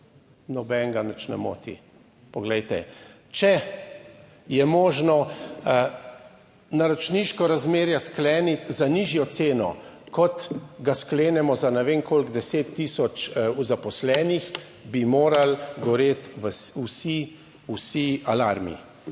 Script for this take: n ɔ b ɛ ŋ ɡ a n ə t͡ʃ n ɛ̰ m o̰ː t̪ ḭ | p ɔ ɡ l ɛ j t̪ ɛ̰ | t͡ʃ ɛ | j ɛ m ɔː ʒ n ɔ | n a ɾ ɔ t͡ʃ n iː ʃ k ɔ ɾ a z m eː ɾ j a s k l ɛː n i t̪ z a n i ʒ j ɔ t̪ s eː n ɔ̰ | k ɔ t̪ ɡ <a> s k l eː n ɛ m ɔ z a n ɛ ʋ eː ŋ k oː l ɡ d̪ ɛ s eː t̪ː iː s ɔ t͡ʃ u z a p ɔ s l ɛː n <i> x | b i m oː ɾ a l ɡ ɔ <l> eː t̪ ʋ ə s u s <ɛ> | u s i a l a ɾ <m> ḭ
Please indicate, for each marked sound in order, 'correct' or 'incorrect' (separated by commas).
correct, correct, incorrect, incorrect, correct